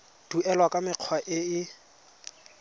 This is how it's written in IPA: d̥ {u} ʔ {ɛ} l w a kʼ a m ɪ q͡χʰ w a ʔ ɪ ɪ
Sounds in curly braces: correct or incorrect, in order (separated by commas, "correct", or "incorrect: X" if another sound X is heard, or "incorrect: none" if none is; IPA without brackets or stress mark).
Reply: correct, correct